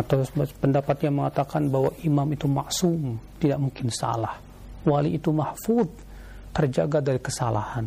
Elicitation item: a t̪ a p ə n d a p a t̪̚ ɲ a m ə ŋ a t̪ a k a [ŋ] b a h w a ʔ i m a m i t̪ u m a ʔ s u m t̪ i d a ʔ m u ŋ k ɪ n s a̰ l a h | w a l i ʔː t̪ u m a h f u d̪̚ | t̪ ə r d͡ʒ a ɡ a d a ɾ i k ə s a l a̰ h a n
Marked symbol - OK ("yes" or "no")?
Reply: no